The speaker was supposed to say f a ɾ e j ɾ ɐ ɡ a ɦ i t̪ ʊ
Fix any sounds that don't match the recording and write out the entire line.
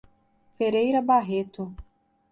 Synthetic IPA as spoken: f e ɾ e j ɾ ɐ b a ɦ e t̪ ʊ